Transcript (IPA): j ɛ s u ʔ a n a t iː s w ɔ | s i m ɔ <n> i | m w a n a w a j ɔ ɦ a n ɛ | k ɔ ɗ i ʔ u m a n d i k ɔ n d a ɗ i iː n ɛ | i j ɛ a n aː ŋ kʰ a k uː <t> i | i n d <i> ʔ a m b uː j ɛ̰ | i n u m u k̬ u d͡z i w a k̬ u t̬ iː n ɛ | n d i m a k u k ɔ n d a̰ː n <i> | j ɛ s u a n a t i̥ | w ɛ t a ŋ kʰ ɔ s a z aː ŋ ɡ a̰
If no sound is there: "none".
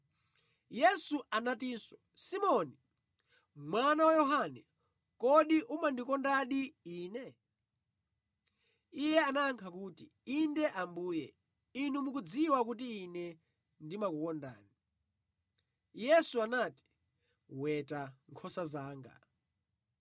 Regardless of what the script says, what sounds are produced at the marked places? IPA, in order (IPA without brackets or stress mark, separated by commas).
n, t, ɛ, i